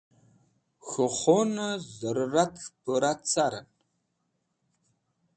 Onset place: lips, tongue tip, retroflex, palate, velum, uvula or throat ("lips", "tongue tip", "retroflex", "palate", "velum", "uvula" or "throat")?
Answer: velum